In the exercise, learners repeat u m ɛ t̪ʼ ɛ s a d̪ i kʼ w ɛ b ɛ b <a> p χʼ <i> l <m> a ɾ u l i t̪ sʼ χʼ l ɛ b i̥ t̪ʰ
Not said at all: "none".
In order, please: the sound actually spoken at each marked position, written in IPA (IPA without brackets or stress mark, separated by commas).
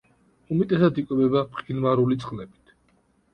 a, i, m